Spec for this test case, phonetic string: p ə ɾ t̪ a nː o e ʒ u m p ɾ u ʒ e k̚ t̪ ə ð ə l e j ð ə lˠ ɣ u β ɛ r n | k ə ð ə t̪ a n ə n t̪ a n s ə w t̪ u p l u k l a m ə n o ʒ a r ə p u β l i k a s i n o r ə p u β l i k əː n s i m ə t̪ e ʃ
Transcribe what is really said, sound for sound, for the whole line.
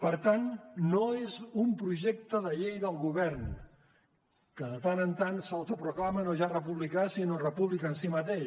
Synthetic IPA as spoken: p ə ɾ t̪ a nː o e z u m p ɾ u ʒ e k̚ t̪ ə ð ə ʎ e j ð ə lˠ ɣ u β ɛ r n | k ə ð ə t̪ a n ə n t̪ a n s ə w t̪ u p ɾ u k l a m ə n o ʒ a r ə p u β l i k a s i n o r ə p u β l i k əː n s i m ə t̪ e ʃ